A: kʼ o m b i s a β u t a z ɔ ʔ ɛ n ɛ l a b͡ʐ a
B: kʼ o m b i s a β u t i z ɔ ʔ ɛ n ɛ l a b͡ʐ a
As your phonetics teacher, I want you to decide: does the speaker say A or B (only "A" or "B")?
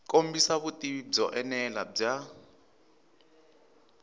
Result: B